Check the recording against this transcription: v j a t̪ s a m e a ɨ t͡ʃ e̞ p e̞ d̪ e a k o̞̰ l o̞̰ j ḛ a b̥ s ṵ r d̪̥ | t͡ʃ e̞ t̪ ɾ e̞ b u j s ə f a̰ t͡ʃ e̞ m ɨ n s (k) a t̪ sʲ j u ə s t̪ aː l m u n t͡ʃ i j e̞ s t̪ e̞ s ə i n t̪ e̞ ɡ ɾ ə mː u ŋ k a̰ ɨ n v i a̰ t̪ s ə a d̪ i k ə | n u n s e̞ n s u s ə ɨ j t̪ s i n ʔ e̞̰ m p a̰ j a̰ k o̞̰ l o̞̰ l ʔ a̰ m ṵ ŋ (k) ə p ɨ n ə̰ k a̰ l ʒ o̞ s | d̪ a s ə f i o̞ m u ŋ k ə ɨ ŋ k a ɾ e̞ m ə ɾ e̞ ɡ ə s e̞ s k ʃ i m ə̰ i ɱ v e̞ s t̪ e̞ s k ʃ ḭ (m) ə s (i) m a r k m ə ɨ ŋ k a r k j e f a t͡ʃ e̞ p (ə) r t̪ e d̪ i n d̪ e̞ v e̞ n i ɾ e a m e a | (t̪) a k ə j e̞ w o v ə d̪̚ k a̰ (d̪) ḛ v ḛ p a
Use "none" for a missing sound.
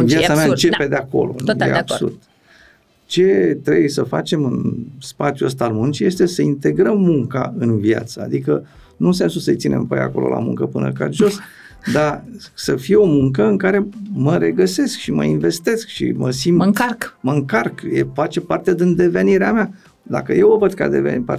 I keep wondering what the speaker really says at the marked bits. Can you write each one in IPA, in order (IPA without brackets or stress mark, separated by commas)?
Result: p, k, m, i, a, d̪, d̪